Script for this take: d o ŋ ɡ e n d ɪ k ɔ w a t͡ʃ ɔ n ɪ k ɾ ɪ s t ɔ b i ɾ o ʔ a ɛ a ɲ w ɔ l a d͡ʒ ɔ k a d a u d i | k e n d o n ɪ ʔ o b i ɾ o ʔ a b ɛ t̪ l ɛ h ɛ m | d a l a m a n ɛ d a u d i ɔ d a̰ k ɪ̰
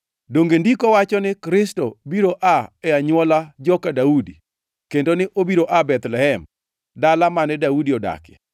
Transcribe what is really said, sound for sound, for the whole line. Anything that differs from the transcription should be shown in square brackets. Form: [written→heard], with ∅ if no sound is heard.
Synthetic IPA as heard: d o ŋ ɡ e n d [ɪ→i] k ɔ w a t͡ʃ ɔ n ɪ k ɾ ɪ s t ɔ b i ɾ o ʔ a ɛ a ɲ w ɔ l a d͡ʒ ɔ k a d a u d i | k e n d o n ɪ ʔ o b i ɾ o ʔ a b ɛ t̪ l ɛ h ɛ m | d a l a m a n ɛ d a u d i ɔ d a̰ k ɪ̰